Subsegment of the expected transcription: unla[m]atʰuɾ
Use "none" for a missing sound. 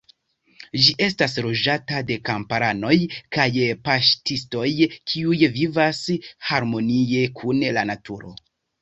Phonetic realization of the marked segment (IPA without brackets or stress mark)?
n